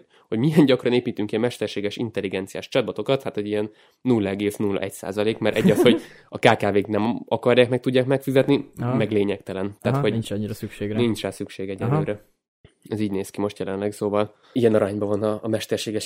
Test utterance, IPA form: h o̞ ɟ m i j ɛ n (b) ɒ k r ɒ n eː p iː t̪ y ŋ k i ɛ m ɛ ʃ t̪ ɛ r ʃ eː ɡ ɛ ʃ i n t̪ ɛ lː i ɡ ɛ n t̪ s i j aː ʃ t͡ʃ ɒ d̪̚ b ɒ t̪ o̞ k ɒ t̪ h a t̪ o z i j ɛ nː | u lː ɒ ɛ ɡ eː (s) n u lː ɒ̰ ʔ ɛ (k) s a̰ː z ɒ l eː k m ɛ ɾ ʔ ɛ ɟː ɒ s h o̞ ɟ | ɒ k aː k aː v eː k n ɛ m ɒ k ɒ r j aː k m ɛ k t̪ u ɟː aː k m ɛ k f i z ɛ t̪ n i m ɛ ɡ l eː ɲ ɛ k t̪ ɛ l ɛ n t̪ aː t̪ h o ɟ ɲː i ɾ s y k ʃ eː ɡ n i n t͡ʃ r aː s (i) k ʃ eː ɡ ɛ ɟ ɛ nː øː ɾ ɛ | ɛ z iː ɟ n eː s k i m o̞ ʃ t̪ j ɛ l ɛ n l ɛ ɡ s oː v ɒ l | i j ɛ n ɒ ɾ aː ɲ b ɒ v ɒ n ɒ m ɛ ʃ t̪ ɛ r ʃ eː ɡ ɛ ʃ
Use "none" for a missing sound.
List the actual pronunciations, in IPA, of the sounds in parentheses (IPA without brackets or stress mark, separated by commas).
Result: ɟ, s, c, y